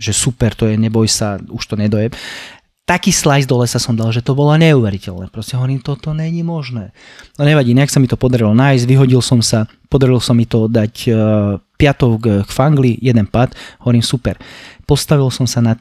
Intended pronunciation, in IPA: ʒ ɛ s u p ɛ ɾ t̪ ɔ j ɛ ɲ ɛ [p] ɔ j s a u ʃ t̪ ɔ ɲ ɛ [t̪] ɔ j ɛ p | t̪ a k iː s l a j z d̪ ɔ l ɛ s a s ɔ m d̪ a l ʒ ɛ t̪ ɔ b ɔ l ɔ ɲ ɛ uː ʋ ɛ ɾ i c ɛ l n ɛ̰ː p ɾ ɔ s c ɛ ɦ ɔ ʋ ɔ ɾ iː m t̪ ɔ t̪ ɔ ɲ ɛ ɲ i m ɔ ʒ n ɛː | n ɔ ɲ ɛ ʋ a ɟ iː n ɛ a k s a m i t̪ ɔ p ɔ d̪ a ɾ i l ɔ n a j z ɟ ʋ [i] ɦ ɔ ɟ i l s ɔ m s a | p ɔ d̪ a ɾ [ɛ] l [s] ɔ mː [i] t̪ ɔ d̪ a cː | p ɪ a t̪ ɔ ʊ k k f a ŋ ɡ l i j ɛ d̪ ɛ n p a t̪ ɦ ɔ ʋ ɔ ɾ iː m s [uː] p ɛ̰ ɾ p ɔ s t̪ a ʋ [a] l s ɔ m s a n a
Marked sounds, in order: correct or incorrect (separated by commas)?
incorrect, incorrect, correct, incorrect, correct, correct, incorrect, incorrect